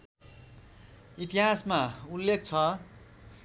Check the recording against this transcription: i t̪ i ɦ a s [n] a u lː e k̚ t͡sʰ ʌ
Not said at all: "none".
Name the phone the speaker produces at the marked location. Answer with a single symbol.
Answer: m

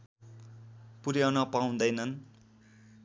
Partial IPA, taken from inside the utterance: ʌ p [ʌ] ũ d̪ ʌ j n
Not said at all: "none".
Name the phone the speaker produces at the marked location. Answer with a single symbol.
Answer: a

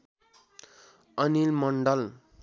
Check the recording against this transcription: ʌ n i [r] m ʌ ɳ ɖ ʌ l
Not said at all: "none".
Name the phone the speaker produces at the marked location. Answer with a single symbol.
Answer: l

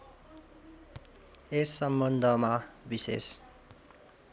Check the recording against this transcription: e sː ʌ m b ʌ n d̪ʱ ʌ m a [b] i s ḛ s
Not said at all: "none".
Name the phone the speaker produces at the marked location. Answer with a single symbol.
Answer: b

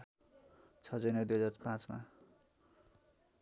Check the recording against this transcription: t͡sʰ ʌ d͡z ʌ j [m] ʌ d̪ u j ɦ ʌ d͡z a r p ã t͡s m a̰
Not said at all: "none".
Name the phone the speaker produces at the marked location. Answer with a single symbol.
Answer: n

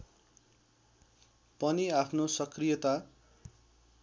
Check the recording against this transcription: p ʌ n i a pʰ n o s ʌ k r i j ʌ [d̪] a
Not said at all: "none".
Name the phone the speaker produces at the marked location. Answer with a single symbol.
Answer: t̪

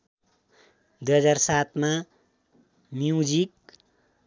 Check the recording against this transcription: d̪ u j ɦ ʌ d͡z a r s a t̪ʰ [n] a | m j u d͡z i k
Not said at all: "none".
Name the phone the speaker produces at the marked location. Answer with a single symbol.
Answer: m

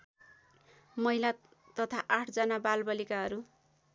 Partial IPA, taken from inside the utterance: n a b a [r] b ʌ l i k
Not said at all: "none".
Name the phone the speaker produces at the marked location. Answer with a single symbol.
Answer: l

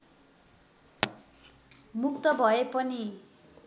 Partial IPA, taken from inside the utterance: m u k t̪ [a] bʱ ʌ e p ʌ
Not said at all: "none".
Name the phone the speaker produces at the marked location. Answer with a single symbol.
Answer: ʌ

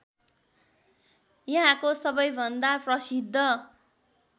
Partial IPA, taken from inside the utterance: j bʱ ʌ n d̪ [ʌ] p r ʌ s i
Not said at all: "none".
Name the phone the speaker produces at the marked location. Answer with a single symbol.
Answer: a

